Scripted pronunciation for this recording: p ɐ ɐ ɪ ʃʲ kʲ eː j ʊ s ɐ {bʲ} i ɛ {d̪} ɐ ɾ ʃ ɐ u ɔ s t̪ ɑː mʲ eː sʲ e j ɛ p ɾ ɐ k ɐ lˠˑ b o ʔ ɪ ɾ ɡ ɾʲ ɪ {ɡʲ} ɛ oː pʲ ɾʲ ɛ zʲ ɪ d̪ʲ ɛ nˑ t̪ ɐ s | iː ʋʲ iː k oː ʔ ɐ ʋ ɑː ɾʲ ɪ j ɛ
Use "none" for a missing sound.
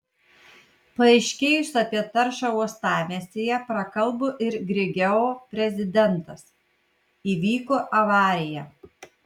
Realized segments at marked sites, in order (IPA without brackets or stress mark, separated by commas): pʲ, t̪, ɡʲ